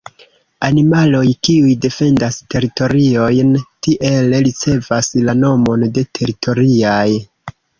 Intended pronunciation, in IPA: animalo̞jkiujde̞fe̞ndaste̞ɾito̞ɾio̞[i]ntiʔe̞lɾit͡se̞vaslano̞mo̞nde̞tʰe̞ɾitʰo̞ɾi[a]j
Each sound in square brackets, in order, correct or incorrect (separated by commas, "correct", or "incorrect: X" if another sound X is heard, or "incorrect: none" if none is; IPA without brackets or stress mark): incorrect: j, correct